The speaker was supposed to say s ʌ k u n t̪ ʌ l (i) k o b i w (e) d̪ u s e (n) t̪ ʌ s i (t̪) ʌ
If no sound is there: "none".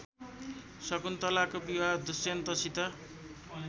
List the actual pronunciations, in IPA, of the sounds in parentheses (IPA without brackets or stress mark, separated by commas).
a, a, n, t̪